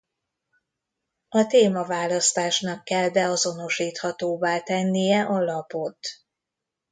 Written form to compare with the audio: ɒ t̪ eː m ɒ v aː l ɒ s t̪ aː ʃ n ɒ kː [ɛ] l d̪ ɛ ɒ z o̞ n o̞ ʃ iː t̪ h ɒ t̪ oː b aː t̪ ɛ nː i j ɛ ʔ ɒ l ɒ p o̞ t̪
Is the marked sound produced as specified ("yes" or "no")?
yes